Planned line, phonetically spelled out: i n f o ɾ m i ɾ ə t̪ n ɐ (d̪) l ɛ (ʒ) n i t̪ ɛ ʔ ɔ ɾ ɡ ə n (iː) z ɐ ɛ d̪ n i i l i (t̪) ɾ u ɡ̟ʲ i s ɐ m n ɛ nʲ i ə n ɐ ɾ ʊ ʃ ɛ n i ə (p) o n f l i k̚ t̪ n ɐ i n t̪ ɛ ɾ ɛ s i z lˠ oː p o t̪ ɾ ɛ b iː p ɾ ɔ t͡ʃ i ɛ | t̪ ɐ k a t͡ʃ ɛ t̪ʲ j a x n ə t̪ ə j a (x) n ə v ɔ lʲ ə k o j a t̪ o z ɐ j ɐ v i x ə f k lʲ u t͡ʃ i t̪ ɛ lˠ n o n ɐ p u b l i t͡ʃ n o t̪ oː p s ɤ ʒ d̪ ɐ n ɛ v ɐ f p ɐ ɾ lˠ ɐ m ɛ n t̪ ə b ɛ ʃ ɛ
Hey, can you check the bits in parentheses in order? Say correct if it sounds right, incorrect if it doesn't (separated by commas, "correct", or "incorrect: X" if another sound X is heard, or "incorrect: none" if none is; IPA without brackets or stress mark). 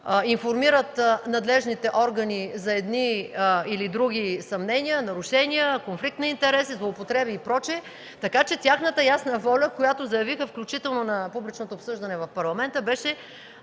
correct, correct, incorrect: i, incorrect: d̪, incorrect: k, incorrect: s